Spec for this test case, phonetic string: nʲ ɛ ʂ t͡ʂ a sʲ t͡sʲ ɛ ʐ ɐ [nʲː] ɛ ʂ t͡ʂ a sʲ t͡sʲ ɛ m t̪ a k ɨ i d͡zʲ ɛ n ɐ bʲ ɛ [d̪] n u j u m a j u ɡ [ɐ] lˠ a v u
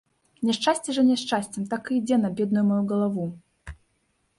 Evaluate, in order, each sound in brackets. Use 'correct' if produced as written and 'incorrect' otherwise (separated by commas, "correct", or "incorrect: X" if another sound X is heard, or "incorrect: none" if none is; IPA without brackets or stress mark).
incorrect: nʲ, correct, correct